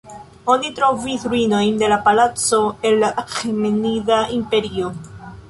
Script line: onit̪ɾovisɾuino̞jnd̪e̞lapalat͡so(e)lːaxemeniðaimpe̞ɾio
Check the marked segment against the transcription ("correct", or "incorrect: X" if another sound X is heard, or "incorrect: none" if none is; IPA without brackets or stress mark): correct